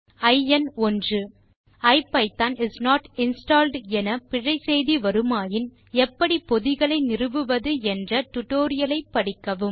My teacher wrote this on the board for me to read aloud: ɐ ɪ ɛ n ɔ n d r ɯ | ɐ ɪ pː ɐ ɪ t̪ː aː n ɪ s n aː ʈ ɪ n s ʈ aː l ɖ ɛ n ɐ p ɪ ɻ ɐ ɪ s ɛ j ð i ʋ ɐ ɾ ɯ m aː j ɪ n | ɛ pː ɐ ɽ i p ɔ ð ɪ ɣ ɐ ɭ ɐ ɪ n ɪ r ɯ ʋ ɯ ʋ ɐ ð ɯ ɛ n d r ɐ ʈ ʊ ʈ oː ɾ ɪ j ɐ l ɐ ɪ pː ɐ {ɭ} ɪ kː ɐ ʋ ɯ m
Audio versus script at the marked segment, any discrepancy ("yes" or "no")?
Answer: yes